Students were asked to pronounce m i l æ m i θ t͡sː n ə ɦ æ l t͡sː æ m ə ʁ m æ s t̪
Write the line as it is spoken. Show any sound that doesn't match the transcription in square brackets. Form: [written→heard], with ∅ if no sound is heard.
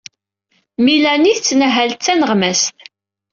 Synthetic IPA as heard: m i l æ [m→n] i θ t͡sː n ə ɦ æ l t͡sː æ [m→n] ə ʁ m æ s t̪